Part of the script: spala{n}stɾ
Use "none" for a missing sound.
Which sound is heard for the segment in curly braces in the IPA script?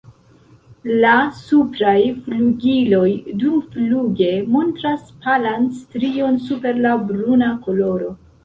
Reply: n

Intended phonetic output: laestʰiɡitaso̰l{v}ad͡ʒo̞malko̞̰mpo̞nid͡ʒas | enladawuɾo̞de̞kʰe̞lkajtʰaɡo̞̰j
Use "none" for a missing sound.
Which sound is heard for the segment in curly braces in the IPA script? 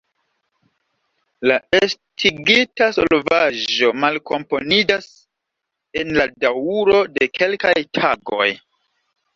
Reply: v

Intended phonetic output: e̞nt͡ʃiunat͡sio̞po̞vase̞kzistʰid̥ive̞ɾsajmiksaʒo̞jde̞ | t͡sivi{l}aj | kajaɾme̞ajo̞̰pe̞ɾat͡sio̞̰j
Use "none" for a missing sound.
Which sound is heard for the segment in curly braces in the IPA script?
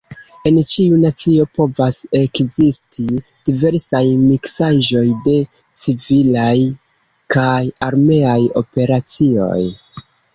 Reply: l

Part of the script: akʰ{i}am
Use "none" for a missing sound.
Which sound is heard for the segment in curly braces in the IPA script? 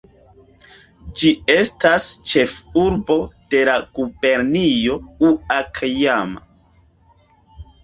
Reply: j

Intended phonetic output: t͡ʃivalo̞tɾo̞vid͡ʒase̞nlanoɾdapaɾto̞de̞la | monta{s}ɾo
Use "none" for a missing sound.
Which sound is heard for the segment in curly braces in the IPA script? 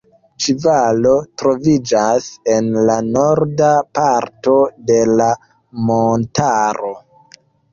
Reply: none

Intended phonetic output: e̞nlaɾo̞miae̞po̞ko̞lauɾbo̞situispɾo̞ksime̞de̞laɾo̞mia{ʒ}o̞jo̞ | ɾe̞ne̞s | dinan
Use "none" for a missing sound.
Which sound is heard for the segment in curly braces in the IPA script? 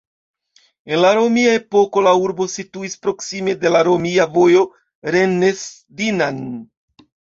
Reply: v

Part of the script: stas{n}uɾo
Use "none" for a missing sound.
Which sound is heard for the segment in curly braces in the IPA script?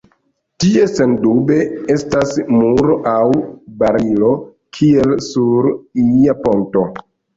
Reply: m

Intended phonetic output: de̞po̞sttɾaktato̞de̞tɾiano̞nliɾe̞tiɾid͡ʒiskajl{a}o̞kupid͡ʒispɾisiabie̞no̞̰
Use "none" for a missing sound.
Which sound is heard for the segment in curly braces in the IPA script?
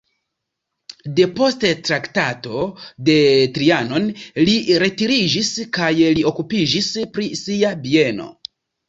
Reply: i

